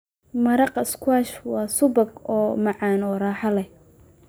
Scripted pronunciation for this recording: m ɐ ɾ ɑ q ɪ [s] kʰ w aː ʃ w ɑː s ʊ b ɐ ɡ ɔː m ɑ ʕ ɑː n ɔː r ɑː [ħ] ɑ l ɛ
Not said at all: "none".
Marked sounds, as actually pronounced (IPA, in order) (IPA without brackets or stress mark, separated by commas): s, ħ